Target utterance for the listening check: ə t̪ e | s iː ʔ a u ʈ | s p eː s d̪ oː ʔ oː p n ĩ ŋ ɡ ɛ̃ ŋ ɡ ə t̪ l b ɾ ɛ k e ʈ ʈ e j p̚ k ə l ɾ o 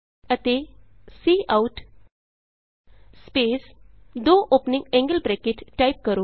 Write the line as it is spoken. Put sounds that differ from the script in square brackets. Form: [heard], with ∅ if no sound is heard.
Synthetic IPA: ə t̪ e | s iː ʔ a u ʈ | s p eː s d̪ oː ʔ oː p n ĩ ŋ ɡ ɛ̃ ŋ ɡ ə [∅] l b ɾ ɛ k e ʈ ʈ [a] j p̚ k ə [∅] ɾ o